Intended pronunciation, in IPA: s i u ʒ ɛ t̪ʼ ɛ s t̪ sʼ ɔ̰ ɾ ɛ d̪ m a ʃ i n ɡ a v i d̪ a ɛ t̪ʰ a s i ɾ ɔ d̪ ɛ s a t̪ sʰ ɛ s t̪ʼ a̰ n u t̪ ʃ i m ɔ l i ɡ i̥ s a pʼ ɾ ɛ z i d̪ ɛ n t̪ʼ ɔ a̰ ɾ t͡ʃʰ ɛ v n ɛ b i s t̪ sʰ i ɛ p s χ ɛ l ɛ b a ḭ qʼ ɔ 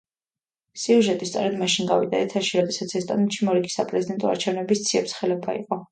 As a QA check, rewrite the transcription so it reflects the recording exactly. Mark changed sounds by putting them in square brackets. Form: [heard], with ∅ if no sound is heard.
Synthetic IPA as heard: s i u ʒ ɛ t̪ʼ [i] s t̪ sʼ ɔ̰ ɾ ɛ d̪ m a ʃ i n ɡ a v i d̪ a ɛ t̪ʰ a [ʃ] i ɾ ɔ d̪ ɛ s a t̪ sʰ ɛ s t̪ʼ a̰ n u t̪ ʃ i m ɔ [ɾ] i ɡ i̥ s a pʼ ɾ ɛ z i d̪ ɛ n t̪ʼ ɔ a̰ ɾ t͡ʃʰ ɛ v n ɛ b i s t̪ sʰ i ɛ p s χ ɛ l ɛ b a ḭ qʼ ɔ